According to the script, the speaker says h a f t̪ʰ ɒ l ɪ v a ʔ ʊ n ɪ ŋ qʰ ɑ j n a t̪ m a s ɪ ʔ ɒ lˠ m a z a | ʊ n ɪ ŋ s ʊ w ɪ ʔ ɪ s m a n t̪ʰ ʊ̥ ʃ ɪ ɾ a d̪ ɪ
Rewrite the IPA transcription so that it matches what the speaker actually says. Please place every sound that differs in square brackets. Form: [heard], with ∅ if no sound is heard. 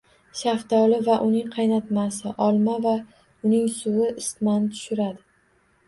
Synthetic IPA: [ʃ] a f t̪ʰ ɒ l ɪ v a ʔ ʊ n ɪ ŋ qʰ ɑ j n a t̪ m a s ɪ ʔ ɒ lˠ m a [v] a | ʊ n ɪ ŋ s ʊ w ɪ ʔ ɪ s m a n t̪ʰ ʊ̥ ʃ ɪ ɾ a d̪ ɪ